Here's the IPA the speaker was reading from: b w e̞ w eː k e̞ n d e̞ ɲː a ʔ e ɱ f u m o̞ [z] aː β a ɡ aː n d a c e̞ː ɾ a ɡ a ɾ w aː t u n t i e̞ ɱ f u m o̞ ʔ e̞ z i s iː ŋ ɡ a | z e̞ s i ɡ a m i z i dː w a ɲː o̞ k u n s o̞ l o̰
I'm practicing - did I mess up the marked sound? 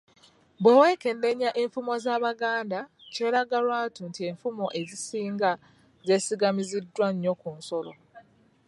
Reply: no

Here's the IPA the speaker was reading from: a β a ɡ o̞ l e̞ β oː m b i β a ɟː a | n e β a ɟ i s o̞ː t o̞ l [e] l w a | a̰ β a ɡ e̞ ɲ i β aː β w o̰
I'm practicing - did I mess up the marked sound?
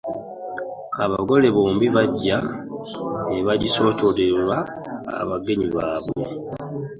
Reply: no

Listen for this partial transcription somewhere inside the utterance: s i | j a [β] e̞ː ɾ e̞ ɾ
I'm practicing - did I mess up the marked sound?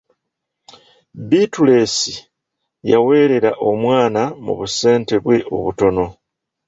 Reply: yes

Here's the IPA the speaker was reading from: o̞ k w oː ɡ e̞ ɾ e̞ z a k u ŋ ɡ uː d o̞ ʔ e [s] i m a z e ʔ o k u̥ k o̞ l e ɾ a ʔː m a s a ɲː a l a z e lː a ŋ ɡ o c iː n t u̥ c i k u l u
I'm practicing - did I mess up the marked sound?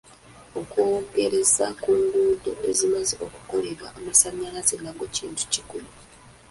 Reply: yes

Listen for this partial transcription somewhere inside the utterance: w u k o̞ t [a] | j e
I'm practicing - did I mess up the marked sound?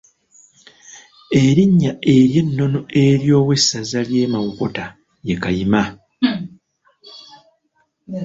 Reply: no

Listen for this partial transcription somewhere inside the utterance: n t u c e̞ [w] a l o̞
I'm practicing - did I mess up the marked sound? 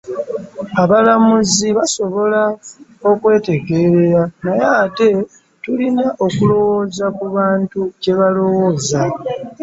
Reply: yes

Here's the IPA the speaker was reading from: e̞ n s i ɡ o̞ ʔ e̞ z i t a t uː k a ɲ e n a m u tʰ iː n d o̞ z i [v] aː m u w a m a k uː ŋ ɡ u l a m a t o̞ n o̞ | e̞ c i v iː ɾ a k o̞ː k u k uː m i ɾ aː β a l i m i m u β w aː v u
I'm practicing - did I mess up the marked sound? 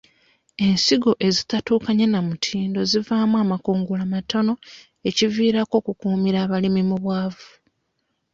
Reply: no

